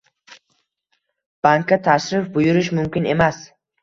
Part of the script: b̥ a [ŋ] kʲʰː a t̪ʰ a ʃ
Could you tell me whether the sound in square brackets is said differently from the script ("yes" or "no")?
no